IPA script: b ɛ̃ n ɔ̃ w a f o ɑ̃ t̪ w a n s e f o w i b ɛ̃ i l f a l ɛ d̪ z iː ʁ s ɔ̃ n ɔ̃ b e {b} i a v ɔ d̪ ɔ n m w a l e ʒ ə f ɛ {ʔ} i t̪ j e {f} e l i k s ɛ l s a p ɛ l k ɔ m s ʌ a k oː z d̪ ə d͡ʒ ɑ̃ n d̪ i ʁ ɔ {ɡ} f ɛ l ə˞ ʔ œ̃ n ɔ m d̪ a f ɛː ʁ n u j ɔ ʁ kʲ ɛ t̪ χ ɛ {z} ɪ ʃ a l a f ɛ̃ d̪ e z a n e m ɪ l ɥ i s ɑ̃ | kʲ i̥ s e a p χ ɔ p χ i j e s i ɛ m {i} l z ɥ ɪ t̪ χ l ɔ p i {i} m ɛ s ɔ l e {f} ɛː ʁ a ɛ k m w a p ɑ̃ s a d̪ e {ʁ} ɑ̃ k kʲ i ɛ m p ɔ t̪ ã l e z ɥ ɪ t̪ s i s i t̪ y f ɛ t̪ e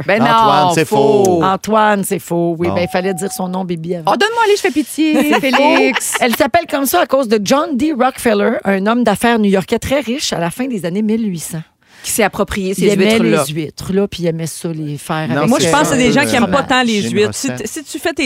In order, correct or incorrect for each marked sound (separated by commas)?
correct, incorrect, correct, incorrect, incorrect, incorrect, incorrect, correct, incorrect